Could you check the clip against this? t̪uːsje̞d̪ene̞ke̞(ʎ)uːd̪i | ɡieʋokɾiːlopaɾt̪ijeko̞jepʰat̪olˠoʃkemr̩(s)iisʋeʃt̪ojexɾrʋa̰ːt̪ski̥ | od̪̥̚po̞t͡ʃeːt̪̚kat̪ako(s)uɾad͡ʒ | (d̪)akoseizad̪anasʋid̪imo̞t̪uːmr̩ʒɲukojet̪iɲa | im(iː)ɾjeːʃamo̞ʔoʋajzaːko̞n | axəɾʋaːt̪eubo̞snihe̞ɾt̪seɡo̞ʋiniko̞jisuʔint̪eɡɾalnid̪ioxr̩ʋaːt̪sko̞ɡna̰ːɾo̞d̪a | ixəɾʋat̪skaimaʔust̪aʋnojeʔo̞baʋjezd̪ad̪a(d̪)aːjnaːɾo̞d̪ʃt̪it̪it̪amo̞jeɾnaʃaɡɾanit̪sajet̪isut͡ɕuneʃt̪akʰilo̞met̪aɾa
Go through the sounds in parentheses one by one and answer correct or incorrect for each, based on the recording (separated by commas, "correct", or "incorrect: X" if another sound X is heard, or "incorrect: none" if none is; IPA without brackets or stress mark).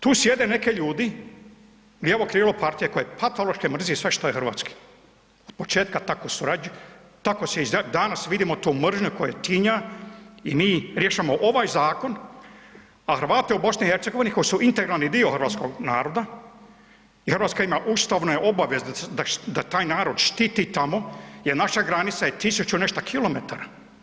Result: correct, incorrect: z, correct, incorrect: t̪, correct, incorrect: t̪